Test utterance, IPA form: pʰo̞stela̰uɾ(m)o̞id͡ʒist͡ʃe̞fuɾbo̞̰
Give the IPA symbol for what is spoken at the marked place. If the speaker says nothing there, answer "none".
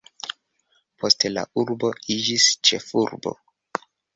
b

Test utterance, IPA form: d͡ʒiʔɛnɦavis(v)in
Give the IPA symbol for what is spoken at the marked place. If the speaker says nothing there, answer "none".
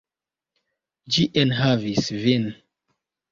v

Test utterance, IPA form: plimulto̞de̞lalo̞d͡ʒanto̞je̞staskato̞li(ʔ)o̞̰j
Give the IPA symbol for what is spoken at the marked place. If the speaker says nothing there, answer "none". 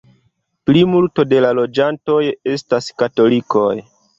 k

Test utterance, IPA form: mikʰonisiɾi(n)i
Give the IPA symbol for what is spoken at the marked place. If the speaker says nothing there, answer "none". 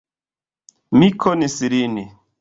n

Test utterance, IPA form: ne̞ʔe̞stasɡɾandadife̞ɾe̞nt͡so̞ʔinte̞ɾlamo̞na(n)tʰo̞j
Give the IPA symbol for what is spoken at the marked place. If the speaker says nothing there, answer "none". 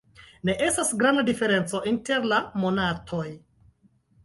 none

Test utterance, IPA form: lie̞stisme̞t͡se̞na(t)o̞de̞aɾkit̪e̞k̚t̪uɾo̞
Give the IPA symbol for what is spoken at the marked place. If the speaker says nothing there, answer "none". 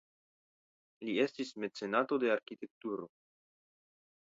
t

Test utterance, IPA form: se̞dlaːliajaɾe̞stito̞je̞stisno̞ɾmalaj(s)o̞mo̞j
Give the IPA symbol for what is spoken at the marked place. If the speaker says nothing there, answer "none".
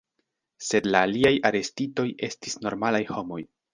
h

